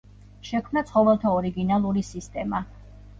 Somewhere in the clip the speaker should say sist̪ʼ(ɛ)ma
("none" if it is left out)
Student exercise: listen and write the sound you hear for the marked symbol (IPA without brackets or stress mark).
ɛ